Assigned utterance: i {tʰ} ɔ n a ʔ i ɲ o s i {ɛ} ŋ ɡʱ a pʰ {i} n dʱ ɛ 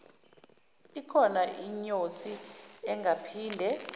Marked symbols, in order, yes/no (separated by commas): no, yes, no